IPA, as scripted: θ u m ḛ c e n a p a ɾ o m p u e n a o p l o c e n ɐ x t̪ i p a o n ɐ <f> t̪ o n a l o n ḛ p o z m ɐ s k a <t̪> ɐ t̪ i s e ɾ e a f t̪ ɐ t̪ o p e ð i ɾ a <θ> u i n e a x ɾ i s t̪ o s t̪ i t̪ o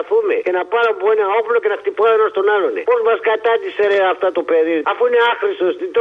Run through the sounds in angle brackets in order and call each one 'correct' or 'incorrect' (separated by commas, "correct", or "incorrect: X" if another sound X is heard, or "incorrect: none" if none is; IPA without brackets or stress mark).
incorrect: s, correct, incorrect: f